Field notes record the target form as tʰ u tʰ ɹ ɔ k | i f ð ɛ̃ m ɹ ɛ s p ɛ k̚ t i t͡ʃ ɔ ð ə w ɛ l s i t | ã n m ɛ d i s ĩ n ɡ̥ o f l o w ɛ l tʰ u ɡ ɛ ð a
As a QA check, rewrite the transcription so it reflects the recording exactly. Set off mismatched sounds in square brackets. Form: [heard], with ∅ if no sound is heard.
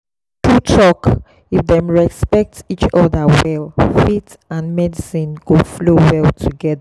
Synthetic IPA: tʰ u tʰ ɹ ɔ k | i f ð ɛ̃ m ɹ ɛ s p ɛ k̚ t i t͡ʃ ɔ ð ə w ɛ l [f] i t | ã n m ɛ d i s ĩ n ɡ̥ o f l o w ɛ l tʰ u ɡ ɛ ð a